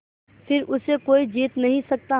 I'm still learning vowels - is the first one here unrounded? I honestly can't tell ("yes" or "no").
yes